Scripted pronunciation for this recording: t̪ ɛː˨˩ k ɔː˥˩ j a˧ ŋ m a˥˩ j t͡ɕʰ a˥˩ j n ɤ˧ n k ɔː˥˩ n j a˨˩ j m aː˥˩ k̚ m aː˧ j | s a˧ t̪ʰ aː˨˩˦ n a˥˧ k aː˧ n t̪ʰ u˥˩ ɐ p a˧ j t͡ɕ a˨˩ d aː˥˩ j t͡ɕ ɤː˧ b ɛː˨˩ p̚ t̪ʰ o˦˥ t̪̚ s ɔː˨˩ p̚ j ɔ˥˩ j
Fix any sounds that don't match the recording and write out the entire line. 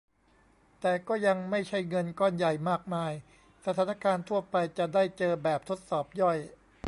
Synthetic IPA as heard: t̪ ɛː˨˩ k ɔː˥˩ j a˧ ŋ m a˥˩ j t͡ɕʰ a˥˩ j ŋ ɤ˧ n k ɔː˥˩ n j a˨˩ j m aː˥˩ k̚ m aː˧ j | s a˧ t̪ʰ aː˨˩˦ n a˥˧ k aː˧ n t̪ʰ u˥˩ ɐ p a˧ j t͡ɕ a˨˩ d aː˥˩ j t͡ɕ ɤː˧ b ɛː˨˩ p̚ t̪ʰ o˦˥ t̪̚ s ɔː˨˩ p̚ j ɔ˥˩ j